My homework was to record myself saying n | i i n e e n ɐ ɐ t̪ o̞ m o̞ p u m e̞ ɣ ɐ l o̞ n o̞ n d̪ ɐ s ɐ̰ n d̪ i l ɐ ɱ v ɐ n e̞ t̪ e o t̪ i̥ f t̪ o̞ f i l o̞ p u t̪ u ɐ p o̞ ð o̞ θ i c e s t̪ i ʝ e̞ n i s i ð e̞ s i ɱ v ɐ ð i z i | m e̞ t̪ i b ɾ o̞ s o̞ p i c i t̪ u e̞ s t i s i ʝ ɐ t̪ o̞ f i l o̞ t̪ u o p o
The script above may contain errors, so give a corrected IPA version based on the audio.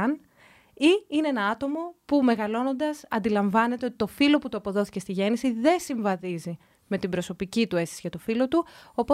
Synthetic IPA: n | i i n e e n ɐ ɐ t̪ o̞ m o̞ p u m e̞ ɣ ɐ l o̞ n o̞ n d̪ ɐ s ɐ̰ n d̪ i l ɐ ɱ v ɐ n e̞ t̪ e o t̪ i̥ t̪ o̞ f i l o̞ p u t̪ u ɐ p o̞ ð o̞ θ i c e s t̪ i ʝ e̞ n i s i ð e̞ s i ɱ v ɐ ð i z i | m e̞ t̪ i b ɾ o̞ s o̞ p i c i t̪ u e̞ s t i s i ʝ ɐ t̪ o̞ f i l o̞ t̪ u o p o